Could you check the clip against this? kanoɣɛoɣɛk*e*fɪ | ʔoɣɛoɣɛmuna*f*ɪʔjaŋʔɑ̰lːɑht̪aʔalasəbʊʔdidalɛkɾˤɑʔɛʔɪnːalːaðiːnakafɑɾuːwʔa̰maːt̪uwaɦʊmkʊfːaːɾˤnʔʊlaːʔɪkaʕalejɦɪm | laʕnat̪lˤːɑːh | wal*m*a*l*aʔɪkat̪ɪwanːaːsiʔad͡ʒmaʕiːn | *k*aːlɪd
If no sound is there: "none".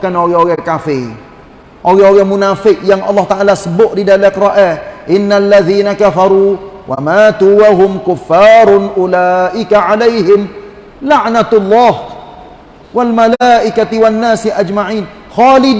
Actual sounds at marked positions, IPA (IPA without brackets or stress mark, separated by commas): a, f, m, l, x